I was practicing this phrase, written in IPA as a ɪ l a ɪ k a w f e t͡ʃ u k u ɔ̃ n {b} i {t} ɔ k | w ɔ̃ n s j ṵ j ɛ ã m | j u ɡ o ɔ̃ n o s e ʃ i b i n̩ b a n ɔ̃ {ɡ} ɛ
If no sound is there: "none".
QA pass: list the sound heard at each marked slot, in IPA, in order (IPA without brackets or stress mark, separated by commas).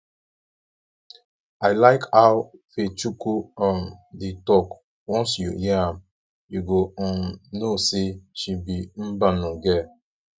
d, t, ɡ